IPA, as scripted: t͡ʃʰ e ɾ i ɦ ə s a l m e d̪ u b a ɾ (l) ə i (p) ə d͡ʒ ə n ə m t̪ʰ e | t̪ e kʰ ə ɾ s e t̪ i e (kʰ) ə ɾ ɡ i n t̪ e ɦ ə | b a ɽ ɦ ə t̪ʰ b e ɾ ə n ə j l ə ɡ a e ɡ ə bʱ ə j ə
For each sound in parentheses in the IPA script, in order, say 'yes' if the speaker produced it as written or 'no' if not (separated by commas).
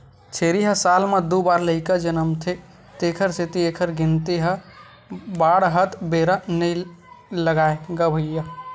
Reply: yes, no, yes